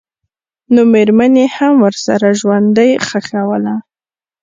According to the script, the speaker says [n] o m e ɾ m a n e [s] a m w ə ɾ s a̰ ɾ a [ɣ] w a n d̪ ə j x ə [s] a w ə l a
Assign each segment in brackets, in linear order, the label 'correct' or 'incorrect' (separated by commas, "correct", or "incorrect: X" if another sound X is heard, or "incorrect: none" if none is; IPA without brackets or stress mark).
correct, incorrect: h, incorrect: ʒ, incorrect: x